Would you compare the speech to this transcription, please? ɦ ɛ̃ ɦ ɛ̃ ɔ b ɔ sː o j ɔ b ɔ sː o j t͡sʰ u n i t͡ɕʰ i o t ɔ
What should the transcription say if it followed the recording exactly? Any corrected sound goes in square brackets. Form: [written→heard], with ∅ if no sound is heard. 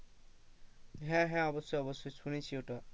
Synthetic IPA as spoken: ɦ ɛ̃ ɦ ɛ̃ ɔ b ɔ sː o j ɔ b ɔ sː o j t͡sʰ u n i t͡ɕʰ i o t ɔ

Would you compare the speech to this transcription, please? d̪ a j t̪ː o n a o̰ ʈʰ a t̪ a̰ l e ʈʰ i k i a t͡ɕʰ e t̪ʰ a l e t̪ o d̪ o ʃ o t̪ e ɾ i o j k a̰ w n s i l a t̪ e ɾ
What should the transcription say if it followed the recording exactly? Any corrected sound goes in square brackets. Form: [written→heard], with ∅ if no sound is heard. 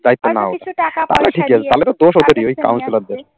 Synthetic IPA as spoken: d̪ a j t̪ː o n a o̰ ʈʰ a t̪ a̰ l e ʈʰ i k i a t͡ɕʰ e [t̪ʰ→t̪] a l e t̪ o d̪ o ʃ o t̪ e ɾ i o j k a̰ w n s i l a [t̪→d̪] e ɾ

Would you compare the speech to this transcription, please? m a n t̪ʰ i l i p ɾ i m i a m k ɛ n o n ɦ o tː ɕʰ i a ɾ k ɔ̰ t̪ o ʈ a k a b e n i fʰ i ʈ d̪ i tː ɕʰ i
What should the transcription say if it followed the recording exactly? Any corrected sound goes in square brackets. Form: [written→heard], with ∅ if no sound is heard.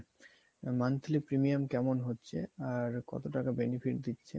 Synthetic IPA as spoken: m a n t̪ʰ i l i p ɾ i m i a m k ɛ [n→m] o n ɦ o tː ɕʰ [i→e] a ɾ k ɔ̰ t̪ o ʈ a k a b e n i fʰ i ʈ d̪ i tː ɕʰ [i→e]

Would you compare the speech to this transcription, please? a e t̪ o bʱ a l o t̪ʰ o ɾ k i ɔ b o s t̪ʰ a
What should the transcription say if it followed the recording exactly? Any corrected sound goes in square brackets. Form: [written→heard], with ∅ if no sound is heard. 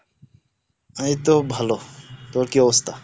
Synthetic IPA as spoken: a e t̪ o bʱ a l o [t̪ʰ→t̪] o ɾ k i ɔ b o s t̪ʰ a

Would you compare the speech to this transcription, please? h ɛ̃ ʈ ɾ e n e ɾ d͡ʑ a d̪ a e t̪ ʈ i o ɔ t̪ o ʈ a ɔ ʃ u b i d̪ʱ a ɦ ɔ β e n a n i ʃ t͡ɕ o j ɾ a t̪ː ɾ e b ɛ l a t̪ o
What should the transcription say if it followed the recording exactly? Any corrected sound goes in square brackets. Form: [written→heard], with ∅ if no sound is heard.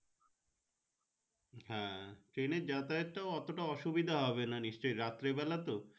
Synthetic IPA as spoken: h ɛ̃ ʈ ɾ e n e ɾ d͡ʑ a [d̪→t̪] a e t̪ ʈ [i→a] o ɔ t̪ o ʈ a ɔ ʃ u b i d̪ʱ a ɦ ɔ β e n a n i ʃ t͡ɕ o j ɾ a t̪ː ɾ e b ɛ l a t̪ o

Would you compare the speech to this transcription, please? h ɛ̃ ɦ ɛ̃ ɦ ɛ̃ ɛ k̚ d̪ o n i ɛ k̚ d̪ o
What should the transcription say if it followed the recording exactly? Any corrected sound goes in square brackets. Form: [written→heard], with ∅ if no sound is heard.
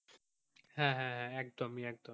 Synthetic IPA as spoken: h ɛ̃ ɦ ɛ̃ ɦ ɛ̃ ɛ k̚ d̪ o [n→m] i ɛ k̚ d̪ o

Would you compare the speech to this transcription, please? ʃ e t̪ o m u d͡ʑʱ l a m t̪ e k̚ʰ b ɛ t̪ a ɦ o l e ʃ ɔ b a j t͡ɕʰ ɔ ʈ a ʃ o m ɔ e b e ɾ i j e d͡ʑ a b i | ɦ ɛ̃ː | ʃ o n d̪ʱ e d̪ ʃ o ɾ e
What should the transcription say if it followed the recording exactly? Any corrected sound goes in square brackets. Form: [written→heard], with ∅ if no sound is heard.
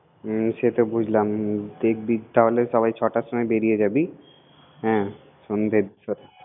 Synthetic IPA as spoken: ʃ e t̪ o [m→b] u d͡ʑʱ l a m [t̪→d̪] e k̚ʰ b [ɛ→i] t̪ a ɦ o l e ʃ ɔ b a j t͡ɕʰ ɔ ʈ a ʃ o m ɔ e b e ɾ i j e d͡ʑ a b i | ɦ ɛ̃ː | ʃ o n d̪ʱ e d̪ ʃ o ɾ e

